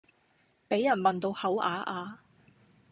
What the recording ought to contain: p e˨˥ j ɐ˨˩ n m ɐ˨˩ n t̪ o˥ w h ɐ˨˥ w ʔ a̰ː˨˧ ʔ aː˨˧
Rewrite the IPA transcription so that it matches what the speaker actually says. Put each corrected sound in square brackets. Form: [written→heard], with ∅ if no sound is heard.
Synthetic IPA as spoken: p e˨˥ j ɐ˨˩ n m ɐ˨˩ n t̪ [o˥→o˧] w h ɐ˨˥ w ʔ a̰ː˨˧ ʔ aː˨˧